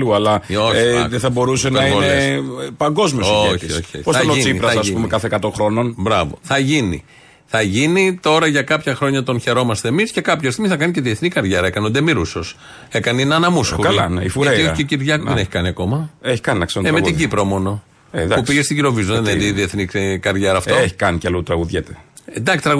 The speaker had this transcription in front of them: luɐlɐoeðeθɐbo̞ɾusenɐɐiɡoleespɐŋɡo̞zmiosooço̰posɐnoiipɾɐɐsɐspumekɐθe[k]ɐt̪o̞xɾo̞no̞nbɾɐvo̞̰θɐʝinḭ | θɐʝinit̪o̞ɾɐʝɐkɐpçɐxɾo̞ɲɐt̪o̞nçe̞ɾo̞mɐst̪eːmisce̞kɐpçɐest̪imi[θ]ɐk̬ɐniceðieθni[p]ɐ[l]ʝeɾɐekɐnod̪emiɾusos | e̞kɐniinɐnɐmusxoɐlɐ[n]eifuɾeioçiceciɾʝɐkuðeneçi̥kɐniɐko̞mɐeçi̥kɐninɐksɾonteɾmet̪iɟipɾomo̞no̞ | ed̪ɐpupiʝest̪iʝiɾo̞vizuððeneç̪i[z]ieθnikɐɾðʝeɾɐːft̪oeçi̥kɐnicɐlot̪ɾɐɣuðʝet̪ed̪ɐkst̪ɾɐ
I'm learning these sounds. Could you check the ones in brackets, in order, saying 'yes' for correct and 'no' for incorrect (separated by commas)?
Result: yes, yes, no, no, yes, no